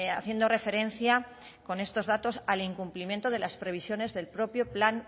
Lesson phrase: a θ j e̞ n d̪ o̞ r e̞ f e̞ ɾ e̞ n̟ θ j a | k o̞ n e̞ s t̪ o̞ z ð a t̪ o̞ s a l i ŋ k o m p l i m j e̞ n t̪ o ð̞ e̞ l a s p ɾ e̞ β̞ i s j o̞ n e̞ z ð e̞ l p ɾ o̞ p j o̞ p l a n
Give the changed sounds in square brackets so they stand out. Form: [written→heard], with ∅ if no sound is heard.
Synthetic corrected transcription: a θ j e̞ n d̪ o̞ r e̞ f e̞ ɾ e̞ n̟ θ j a | k o̞ n e̞ s t̪ o̞ z ð a t̪ o̞ s a l i ŋ k [o→u] m p l i m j e̞ n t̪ o ð̞ e̞ l a s p ɾ e̞ β̞ i s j o̞ n e̞ z ð e̞ l p ɾ o̞ p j o̞ p l a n